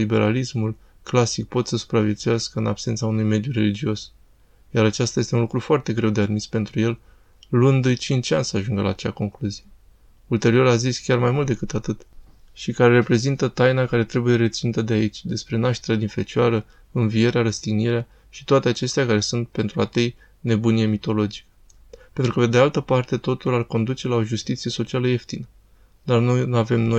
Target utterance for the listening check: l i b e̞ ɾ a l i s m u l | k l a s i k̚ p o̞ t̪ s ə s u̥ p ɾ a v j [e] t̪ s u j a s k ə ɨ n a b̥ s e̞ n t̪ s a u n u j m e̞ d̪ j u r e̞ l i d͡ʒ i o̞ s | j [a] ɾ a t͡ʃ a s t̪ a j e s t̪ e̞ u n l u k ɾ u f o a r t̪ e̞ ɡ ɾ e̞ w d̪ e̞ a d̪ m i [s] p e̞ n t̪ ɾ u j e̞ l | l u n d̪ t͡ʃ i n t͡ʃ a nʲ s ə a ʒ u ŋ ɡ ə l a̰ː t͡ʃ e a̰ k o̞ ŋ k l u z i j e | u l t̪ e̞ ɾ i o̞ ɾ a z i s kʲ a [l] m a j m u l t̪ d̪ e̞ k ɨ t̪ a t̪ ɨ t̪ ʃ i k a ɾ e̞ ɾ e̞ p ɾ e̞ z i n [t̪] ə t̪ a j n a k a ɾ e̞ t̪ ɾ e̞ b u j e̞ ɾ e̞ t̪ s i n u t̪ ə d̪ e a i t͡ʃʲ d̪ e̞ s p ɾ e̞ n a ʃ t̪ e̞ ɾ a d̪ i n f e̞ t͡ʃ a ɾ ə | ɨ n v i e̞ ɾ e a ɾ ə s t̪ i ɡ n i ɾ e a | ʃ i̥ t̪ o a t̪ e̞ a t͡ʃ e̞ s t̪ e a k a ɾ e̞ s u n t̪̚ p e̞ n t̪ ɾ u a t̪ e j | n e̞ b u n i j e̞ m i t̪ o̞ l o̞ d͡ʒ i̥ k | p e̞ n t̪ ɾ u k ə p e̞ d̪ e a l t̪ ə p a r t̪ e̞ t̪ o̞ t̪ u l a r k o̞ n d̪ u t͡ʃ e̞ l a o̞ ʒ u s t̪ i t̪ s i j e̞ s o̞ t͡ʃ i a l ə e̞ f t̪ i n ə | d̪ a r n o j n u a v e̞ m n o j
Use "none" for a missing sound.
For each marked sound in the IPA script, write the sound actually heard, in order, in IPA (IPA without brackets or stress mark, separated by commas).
e, a, s, r, t̪